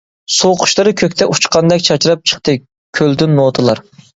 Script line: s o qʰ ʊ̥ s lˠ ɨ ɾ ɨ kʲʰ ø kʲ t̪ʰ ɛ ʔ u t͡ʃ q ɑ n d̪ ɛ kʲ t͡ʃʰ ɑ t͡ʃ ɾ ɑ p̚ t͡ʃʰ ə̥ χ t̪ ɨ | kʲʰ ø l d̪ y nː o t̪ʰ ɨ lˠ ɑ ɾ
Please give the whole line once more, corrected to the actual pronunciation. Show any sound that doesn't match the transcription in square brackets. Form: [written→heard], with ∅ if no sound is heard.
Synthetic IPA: s o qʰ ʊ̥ [s→ʃ] lˠ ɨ ɾ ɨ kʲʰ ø kʲ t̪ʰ ɛ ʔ u t͡ʃ q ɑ n d̪ ɛ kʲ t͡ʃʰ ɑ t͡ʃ ɾ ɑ p̚ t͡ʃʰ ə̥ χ t̪ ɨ | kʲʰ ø l d̪ y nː o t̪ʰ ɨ lˠ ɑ ɾ